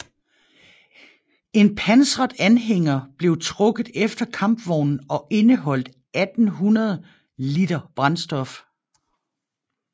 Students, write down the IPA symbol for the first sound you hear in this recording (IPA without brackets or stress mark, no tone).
e̝